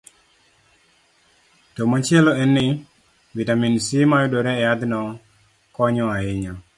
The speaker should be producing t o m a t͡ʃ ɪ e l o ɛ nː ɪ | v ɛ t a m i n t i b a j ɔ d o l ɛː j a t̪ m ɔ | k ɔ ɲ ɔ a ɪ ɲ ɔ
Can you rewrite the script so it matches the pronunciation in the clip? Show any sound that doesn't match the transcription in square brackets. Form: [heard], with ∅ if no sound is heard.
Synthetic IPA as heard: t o m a t͡ʃ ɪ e l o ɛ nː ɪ | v [i] t a m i n [s] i [m] a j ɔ d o [ɾ] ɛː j a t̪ [n] ɔ | k ɔ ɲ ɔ a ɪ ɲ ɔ